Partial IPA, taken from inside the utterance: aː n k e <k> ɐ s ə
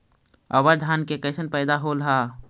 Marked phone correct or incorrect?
correct